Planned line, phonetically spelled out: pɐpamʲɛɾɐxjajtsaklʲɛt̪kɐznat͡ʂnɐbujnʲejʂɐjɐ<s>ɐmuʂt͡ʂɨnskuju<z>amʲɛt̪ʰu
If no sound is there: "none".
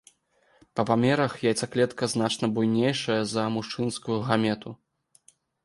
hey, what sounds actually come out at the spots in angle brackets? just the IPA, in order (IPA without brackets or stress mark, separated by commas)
z, ɣ